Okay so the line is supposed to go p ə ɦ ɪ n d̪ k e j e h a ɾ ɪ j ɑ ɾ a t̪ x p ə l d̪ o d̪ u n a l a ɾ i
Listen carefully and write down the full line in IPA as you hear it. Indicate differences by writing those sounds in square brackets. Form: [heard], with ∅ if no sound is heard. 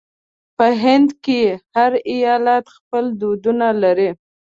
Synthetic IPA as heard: p ə ɦ ɪ n d̪ k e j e h a ɾ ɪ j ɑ [l] a t̪ x p ə l d̪ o d̪ u n a l a ɾ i